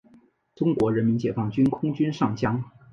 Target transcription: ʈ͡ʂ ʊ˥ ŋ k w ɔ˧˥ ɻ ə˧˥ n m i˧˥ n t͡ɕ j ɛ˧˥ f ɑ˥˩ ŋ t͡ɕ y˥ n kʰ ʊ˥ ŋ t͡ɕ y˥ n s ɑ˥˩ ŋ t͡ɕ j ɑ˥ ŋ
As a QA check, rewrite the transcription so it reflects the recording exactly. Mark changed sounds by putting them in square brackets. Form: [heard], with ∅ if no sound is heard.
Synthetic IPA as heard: ʈ͡ʂ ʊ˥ ŋ k w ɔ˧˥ ɻ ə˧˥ n m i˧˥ n t͡ɕ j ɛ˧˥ f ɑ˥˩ ŋ t͡ɕ y˥ n kʰ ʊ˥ ŋ t͡ɕ y˥ n [ʂ] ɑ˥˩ ŋ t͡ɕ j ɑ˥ ŋ